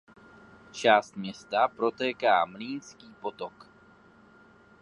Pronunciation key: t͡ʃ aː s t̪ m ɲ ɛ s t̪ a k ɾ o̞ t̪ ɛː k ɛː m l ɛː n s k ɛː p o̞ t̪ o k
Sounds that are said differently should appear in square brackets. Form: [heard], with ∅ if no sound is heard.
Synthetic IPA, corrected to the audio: t͡ʃ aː s t̪ m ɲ ɛ s t̪ a [p] ɾ o̞ t̪ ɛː k [aː] m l [iː] n s k [iː] p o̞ t̪ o k